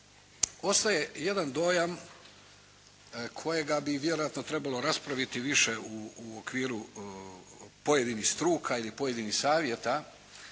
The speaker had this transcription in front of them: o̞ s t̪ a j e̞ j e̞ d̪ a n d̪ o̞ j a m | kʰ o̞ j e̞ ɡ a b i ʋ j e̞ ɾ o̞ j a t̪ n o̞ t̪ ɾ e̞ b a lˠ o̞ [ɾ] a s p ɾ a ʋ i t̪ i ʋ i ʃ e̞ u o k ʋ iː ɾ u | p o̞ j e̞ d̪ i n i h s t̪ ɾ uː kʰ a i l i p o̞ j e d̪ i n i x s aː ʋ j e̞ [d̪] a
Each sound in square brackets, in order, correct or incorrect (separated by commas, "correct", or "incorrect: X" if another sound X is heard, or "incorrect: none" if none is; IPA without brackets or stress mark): correct, incorrect: t̪